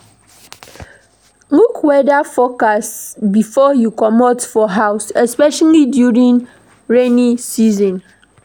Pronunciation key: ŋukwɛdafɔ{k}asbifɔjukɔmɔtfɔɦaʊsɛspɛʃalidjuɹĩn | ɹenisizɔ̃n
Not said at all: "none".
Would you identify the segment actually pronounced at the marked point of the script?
k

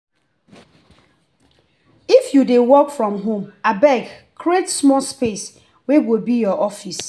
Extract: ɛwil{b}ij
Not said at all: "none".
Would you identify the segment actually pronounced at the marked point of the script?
b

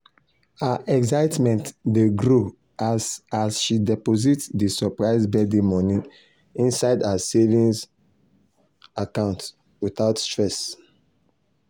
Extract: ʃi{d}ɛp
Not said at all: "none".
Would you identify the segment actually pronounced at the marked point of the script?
d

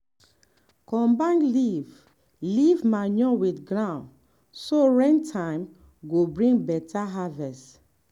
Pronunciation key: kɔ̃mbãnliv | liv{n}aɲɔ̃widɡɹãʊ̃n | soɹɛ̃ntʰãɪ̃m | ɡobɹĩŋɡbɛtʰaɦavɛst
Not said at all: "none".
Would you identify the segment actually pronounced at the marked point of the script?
m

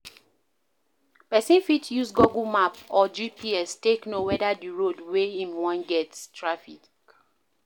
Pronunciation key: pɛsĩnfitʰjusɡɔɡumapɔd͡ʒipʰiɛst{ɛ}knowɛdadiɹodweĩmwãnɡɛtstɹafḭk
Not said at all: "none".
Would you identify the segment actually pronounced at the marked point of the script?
e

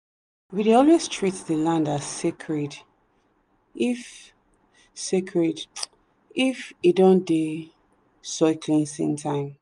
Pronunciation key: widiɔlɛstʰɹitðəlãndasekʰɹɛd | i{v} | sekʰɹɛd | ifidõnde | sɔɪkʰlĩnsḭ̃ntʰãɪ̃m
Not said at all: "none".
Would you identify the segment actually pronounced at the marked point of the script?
f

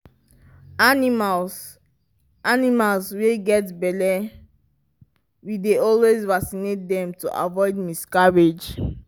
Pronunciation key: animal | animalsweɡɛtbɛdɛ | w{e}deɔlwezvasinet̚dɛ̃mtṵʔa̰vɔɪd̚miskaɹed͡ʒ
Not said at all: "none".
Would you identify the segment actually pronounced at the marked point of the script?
i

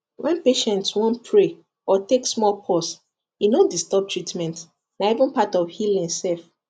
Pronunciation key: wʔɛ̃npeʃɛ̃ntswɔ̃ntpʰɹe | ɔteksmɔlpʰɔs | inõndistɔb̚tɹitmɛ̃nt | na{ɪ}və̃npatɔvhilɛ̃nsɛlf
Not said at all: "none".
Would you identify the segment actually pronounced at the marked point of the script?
i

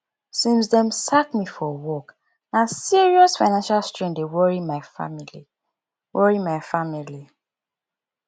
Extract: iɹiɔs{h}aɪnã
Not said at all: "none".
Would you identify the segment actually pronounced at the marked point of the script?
f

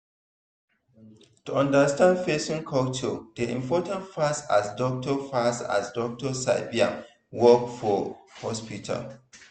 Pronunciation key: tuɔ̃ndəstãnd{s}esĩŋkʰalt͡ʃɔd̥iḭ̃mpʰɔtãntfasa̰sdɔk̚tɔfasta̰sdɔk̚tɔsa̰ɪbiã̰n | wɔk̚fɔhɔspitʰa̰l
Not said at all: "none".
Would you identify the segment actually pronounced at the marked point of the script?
f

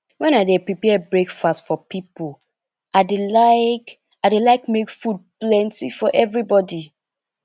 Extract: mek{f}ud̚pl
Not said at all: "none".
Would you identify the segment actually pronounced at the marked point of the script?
f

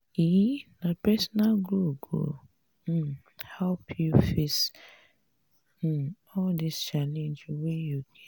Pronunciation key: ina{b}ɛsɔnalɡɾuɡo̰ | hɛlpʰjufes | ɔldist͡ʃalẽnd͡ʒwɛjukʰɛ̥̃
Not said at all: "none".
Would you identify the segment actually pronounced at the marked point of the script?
p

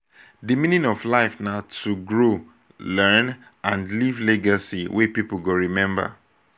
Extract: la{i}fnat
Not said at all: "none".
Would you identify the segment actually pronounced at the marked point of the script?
ɪ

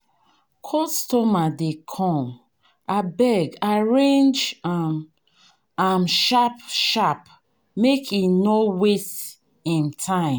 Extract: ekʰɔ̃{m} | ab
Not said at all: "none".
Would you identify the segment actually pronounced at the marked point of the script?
m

